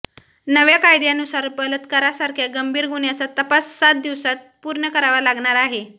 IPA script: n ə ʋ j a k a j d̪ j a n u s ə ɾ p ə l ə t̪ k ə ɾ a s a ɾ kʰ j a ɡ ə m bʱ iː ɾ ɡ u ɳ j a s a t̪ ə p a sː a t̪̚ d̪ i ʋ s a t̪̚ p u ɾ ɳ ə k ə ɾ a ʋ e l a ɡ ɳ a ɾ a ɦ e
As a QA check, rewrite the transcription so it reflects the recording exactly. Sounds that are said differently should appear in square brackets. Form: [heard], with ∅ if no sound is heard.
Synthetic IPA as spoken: n ə ʋ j a k a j d̪ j a n u s [a] ɾ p ə l ə t̪ k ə ɾ a s a ɾ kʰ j a ɡ ə m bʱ iː ɾ ɡ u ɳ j a [t͡s] a t̪ ə p a sː a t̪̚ d̪ i ʋ s a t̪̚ p u ɾ ɳ ə k ə ɾ a ʋ [a] l a ɡ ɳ a ɾ a ɦ e